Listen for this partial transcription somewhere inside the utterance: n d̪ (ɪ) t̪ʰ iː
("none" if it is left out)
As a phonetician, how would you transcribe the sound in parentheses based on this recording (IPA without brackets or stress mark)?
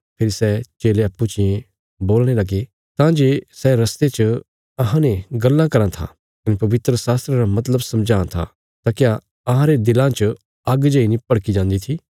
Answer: i